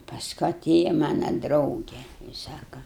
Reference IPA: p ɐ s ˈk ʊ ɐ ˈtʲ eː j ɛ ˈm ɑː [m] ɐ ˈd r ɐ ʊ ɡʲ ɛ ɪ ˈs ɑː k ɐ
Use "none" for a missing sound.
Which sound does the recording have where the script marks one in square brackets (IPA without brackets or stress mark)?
n